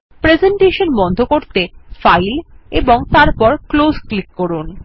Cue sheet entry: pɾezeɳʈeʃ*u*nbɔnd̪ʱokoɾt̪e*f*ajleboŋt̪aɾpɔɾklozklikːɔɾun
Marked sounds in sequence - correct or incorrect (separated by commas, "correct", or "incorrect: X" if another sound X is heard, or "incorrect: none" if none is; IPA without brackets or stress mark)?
incorrect: o, correct